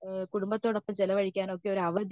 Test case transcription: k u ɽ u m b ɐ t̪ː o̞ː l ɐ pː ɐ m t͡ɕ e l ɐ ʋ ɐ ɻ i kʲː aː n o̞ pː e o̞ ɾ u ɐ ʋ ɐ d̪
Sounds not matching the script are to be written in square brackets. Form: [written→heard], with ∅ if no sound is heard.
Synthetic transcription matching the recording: k u ɽ u m b ɐ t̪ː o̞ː [l→ɽ] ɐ pː ɐ m t͡ɕ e l ɐ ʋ ɐ ɻ i kʲː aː n o̞ [pː→kː] e o̞ ɾ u ɐ ʋ ɐ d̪